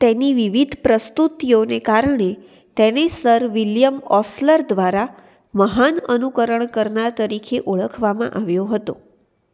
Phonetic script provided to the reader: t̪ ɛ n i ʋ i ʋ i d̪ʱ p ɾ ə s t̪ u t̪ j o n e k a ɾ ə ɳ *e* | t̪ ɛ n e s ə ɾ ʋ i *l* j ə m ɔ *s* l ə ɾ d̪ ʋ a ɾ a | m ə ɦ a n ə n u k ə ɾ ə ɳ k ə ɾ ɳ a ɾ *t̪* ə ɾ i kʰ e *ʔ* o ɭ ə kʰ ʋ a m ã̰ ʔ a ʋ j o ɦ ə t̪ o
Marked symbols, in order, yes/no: yes, yes, yes, yes, yes

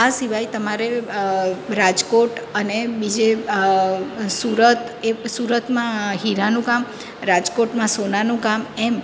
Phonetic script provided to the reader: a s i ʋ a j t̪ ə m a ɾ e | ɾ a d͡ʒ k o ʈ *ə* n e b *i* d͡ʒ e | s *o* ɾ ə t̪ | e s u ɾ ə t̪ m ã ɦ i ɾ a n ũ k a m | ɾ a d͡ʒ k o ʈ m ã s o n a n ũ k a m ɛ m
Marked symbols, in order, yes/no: yes, yes, no

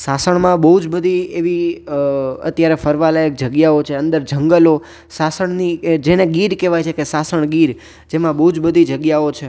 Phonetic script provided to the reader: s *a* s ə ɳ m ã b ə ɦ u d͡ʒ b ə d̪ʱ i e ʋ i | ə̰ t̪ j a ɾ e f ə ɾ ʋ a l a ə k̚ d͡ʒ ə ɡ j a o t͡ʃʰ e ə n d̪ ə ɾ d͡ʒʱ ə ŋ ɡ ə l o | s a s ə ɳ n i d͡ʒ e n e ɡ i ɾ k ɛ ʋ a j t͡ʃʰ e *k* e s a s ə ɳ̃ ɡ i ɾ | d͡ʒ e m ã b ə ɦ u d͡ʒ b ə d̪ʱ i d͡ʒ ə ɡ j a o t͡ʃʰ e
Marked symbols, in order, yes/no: yes, yes

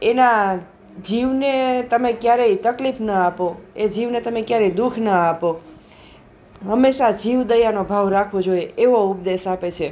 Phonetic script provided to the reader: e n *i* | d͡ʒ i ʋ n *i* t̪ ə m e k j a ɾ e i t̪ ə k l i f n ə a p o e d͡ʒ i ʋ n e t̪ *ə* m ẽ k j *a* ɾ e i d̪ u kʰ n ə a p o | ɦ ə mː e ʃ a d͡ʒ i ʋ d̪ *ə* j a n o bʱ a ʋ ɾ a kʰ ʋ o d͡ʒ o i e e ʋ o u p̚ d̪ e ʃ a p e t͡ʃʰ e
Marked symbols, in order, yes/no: no, no, yes, yes, yes

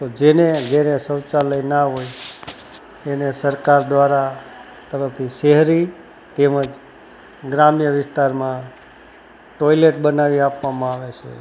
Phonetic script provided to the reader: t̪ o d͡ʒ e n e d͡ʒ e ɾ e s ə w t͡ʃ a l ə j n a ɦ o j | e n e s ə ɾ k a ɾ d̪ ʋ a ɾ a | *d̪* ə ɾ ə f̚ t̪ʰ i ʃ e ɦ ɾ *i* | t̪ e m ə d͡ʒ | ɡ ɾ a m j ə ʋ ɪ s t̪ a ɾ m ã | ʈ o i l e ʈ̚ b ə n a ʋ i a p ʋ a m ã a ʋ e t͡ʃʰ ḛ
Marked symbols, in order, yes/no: no, yes

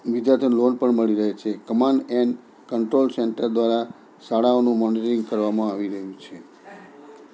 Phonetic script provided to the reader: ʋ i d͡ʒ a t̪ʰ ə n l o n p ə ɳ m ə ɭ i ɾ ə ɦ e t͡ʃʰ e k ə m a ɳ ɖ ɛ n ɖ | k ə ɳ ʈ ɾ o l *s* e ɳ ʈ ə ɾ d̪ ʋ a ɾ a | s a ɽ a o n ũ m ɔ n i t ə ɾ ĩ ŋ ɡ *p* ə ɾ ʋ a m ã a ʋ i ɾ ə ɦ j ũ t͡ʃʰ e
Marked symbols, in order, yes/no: yes, no

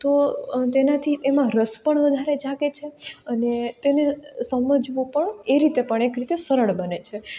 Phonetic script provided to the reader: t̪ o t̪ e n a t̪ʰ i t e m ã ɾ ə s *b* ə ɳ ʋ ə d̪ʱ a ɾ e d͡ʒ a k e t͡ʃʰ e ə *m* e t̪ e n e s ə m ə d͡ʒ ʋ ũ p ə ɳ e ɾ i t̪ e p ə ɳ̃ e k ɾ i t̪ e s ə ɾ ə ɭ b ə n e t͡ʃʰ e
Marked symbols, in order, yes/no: no, no

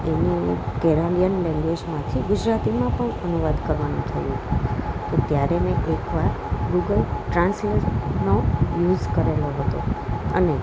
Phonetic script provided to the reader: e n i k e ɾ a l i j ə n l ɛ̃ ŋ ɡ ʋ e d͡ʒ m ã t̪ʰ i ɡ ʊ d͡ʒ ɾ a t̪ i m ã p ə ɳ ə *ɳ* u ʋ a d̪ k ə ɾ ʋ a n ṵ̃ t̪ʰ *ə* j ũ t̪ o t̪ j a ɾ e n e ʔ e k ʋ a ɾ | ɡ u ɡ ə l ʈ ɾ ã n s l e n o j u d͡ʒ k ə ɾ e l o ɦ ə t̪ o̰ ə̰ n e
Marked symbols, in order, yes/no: no, yes

